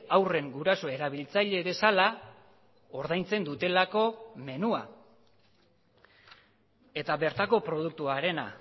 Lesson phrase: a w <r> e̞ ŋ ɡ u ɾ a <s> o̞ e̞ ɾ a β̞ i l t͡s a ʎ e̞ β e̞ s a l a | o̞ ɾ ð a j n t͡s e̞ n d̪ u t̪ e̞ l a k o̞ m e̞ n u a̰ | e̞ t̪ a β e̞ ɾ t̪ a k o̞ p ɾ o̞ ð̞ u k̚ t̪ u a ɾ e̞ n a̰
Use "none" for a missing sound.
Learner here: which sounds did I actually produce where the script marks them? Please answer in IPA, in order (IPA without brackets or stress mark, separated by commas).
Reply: r, s